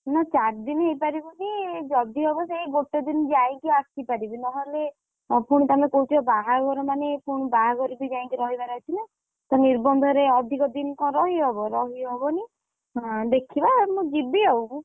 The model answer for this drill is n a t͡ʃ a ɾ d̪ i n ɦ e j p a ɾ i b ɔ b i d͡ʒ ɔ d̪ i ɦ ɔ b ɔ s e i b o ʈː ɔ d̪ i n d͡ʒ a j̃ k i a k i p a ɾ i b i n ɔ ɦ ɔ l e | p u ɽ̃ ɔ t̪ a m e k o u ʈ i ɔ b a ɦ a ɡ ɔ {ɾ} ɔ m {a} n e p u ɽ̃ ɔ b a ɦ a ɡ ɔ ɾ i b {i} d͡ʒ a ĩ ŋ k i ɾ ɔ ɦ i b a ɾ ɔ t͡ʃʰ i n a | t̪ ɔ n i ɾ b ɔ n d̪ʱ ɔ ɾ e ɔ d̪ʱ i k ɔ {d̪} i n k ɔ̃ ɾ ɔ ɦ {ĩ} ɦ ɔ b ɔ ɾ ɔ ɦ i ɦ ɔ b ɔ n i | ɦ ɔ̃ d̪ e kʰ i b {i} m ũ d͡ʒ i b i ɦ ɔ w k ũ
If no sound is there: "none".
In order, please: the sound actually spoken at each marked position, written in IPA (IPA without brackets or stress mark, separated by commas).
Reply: ɾ, a, i, d̪, i, a